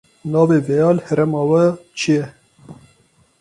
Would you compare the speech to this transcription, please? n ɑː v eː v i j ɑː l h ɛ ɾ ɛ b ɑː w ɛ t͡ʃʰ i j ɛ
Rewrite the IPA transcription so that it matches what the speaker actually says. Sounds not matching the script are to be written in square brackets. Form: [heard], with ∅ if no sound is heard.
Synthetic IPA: n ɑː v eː v [ɛ] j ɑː l h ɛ ɾ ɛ [m] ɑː w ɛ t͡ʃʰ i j ɛ